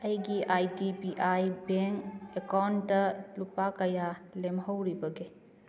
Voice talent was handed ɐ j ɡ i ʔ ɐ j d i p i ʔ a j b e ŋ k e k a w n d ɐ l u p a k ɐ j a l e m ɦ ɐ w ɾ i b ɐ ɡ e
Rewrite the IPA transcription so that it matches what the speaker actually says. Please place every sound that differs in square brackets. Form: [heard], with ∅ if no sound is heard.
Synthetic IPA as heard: ɐ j ɡ i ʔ [a] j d i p i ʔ a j b e ŋ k e k a w n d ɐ l u p a k ɐ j a l e m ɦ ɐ w ɾ i b ɐ ɡ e

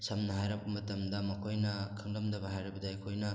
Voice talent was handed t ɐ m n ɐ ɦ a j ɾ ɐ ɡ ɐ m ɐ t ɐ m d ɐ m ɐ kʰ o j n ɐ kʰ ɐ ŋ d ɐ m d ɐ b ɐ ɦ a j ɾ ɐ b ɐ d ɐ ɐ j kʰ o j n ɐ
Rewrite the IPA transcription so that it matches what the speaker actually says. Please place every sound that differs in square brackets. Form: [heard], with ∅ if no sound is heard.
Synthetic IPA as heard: [s] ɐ m n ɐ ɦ a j ɾ ɐ [b] ɐ m ɐ t ɐ m d ɐ m ɐ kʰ o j n ɐ kʰ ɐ ŋ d ɐ m d ɐ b ɐ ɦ a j ɾ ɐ b ɐ d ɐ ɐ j kʰ o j n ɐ

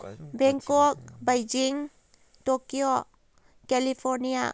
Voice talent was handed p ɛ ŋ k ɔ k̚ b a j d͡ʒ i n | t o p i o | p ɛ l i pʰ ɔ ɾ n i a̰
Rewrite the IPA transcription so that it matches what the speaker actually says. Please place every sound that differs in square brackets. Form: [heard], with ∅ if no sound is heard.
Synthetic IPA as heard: [b] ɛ ŋ k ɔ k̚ b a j d͡ʒ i [ŋ] | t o [k] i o | [k] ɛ l i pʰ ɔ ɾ n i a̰

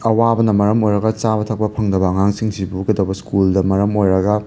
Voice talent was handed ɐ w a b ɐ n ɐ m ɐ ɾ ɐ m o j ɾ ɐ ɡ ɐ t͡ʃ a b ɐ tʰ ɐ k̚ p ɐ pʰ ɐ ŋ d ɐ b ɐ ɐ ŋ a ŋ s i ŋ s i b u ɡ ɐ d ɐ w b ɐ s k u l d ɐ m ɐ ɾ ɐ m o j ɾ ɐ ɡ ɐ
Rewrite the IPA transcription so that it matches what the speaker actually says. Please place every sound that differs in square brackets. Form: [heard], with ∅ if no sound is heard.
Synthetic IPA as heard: ɐ w a b ɐ n ɐ m ɐ ɾ ɐ m o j ɾ ɐ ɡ ɐ t͡ʃ a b ɐ tʰ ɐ k̚ p ɐ pʰ ɐ ŋ d ɐ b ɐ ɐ ŋ a ŋ s i ŋ s i b u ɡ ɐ d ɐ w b ɐ s k u l d ɐ m ɐ ɾ ɐ m o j ɾ ɐ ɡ ɐ

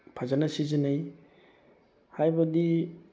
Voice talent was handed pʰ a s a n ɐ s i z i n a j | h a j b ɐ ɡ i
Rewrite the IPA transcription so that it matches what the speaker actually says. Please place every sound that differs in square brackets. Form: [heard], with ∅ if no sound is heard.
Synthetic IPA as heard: pʰ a [z] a n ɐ s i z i n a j | h a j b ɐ [d] i

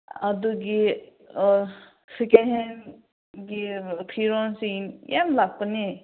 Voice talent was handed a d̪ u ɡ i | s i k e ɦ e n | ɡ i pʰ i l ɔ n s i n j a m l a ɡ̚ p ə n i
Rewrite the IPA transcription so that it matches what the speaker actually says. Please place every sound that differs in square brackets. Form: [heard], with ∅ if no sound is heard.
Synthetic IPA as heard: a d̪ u ɡ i | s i k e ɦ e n | ɡ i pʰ i [ɾ] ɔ n s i n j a m l a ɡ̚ p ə n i

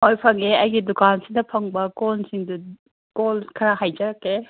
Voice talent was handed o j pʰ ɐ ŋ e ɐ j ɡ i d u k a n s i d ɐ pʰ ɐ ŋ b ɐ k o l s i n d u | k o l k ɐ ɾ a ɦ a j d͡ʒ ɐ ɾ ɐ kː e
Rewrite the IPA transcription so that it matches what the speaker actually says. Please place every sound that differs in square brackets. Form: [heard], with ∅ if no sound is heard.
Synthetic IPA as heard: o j pʰ ɐ ŋ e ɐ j ɡ i d u k a n s i d ɐ pʰ ɐ ŋ b ɐ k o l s i [ŋ] d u | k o l [kʰ] ɐ ɾ a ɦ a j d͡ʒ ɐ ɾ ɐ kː e

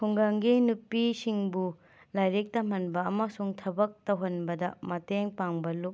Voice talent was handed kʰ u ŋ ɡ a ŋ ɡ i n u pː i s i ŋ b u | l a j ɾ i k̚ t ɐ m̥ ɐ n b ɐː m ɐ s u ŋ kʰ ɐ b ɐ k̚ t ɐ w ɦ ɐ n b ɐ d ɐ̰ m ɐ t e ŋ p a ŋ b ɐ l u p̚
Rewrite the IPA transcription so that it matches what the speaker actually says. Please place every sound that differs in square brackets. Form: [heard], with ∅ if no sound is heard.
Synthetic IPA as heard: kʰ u ŋ ɡ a ŋ ɡ i n u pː i s i ŋ b u | l a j ɾ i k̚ t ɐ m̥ ɐ n b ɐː m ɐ s u ŋ [tʰ] ɐ b ɐ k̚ t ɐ w ɦ ɐ n b ɐ d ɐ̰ m ɐ t e ŋ p a ŋ b ɐ l u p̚

